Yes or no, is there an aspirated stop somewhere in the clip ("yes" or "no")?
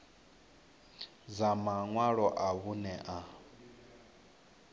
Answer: no